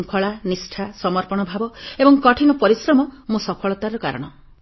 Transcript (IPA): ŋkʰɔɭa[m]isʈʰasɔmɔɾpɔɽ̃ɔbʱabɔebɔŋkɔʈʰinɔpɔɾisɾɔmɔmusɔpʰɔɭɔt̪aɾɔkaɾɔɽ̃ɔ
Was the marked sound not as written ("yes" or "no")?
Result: yes